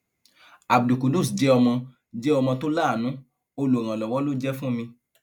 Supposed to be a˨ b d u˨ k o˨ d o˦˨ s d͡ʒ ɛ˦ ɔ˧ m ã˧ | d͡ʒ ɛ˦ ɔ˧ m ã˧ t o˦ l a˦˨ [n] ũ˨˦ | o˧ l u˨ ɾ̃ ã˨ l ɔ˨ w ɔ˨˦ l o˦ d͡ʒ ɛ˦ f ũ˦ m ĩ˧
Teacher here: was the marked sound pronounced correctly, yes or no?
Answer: yes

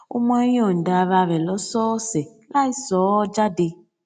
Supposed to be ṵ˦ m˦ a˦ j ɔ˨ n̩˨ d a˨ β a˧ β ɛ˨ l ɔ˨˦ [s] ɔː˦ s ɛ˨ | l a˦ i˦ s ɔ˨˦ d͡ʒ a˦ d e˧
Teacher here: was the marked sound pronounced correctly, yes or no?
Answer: yes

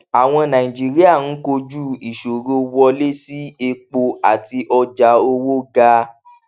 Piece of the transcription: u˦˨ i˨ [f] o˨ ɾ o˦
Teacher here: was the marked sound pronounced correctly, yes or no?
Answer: no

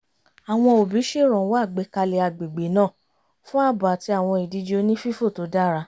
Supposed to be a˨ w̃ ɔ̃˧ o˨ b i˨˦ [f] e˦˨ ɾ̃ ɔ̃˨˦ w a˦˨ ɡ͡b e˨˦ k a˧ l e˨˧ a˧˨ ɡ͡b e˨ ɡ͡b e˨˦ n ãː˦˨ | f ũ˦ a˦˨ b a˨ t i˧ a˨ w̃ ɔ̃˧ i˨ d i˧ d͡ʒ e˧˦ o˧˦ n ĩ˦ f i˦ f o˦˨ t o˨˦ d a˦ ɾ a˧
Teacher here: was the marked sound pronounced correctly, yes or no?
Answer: no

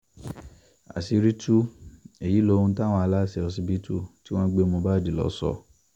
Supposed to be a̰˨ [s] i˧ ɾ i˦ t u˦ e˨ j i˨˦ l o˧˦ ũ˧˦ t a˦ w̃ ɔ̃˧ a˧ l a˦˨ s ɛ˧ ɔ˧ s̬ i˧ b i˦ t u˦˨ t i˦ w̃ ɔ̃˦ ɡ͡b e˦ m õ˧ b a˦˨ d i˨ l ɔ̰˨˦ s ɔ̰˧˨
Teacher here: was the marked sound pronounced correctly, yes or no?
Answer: yes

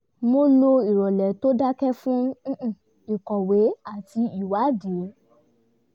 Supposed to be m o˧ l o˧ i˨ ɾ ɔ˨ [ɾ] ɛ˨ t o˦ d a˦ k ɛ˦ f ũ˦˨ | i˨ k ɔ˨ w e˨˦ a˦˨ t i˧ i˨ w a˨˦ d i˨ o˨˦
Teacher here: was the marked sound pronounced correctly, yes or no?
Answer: no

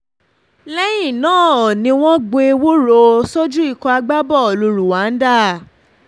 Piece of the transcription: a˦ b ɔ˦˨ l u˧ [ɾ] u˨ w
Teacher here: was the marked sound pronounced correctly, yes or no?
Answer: yes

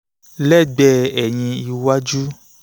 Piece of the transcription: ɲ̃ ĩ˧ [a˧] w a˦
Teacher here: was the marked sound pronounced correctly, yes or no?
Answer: no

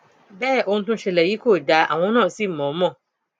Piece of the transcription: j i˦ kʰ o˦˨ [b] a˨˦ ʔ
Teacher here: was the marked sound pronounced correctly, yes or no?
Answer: no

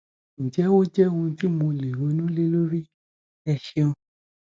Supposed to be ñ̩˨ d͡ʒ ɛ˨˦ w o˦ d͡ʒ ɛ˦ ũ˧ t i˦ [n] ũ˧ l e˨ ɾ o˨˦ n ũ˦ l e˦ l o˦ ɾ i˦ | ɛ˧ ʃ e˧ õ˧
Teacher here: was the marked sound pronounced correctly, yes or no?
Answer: no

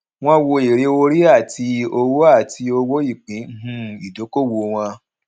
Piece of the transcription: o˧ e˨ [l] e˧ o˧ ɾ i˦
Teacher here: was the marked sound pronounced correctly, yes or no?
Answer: no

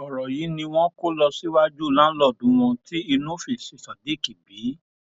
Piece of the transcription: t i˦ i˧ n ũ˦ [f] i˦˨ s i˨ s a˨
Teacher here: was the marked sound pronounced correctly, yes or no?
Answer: yes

